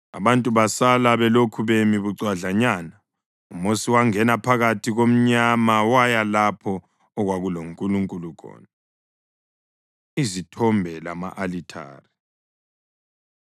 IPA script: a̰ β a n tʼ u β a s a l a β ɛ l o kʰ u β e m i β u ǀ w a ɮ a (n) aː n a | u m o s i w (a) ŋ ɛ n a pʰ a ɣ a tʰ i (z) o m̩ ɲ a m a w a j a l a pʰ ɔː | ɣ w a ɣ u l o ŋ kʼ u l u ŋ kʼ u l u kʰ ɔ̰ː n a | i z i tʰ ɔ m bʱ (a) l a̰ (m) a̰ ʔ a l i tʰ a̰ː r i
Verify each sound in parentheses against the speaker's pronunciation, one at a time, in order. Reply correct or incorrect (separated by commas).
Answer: incorrect, correct, incorrect, incorrect, correct